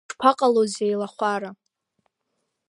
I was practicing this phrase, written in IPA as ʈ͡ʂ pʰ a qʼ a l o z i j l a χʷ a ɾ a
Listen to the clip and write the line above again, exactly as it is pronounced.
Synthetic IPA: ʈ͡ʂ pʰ a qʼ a l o z e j l a χʷ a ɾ a